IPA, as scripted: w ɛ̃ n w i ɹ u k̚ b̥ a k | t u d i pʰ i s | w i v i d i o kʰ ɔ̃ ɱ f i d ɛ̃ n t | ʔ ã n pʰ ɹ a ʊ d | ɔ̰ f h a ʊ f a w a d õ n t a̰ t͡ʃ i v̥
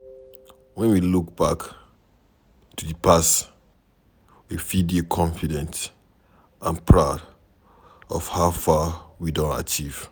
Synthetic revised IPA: w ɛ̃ n w i l u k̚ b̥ a k | t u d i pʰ a s | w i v i d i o kʰ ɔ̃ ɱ f i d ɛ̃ n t | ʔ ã n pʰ ɹ a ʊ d | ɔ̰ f h a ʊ f a w i d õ n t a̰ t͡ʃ i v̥